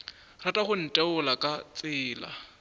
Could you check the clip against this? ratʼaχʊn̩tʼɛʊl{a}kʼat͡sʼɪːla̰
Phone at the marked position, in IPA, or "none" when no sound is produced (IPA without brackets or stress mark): a